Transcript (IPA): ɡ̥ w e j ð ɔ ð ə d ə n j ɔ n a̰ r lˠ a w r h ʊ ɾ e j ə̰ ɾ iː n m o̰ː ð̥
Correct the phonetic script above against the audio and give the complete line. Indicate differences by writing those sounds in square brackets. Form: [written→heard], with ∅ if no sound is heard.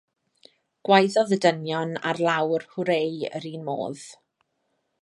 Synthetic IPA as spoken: ɡ̥ w [e→a] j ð ɔ ð ə d ə n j ɔ n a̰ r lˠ a w r h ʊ ɾ e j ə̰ ɾ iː n m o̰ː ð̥